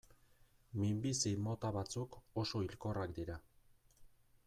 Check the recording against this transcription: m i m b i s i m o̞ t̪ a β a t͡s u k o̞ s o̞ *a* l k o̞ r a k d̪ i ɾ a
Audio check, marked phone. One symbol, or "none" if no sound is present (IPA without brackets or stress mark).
i